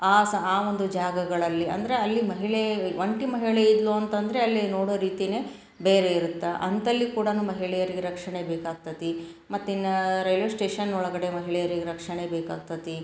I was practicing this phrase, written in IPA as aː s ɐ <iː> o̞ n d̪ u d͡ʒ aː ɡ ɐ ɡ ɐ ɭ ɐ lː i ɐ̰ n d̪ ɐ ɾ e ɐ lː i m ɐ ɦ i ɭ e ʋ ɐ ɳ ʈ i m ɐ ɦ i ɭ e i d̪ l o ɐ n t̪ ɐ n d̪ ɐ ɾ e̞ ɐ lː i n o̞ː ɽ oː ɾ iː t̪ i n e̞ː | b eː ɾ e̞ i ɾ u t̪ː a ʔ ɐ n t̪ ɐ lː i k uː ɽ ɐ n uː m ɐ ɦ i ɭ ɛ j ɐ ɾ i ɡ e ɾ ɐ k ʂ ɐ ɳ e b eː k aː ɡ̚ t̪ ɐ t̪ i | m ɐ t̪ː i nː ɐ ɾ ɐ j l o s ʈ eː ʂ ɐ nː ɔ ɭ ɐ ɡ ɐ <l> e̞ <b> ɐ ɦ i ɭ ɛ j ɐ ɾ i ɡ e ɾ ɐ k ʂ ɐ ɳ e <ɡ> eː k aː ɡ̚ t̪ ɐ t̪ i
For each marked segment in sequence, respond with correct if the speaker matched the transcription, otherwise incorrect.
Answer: incorrect: aː, incorrect: ɽ, incorrect: m, incorrect: b

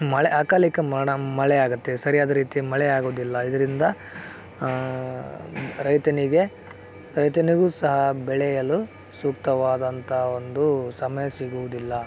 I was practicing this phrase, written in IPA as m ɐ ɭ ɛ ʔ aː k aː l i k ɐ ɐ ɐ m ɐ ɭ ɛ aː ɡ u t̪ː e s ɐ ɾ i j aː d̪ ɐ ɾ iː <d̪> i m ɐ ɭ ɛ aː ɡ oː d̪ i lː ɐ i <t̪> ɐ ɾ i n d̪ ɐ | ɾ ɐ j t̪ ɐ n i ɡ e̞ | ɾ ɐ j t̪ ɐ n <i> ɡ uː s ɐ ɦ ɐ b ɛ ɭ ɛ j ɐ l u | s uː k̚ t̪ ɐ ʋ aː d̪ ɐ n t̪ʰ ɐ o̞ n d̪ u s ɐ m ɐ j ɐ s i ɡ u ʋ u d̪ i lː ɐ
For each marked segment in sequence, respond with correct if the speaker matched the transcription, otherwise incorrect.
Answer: incorrect: t̪, incorrect: d̪, correct

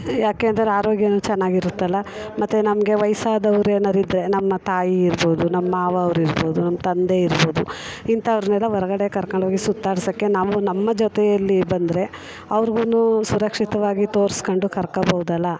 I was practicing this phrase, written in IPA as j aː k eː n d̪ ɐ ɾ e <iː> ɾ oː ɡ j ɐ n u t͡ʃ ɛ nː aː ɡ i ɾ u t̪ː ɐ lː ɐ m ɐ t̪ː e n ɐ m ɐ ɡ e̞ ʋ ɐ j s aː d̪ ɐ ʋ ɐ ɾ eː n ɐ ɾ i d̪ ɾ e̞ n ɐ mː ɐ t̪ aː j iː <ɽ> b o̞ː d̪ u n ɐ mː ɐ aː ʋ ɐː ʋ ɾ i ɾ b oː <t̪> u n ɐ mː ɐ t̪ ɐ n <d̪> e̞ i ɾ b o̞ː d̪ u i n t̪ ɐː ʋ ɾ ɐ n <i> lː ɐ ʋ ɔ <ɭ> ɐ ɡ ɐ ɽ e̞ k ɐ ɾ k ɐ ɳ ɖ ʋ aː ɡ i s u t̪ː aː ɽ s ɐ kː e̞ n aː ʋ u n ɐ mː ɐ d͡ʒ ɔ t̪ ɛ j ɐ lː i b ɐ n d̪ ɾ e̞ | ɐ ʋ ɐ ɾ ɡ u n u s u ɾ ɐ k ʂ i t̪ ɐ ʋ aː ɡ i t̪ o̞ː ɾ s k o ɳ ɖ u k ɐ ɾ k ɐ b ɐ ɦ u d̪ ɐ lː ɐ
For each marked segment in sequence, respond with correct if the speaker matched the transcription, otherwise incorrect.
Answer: incorrect: aː, incorrect: ɾ, incorrect: d̪, correct, incorrect: ɛ, incorrect: ɾ

